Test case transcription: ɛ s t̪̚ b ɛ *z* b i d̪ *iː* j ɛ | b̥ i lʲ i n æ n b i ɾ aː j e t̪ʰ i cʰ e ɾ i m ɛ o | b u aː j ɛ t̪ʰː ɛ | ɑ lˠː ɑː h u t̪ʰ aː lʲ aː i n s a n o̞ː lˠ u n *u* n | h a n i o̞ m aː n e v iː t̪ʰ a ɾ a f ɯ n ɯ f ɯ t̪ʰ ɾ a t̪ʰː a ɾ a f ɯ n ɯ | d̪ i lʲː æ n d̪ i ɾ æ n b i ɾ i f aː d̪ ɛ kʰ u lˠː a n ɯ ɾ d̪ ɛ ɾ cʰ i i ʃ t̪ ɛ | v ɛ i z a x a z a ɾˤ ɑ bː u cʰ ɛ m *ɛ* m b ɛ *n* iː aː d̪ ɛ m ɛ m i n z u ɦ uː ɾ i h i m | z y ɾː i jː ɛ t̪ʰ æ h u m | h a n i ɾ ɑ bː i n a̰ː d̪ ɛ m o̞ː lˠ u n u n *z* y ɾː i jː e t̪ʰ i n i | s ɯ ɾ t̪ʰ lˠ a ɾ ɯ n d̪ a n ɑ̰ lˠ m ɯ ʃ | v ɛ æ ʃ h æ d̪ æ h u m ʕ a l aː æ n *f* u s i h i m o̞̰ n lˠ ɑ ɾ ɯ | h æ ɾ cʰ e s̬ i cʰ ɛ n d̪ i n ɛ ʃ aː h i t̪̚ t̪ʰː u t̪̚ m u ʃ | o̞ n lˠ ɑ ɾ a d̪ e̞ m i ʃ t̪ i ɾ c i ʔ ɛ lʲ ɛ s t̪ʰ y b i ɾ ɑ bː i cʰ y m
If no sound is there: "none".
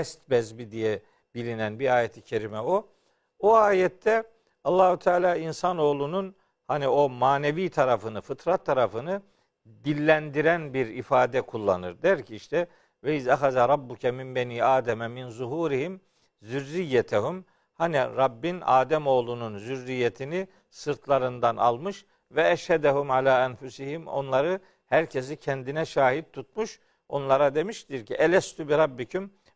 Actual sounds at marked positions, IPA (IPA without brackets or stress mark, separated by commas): z, i, u, i, n, z, f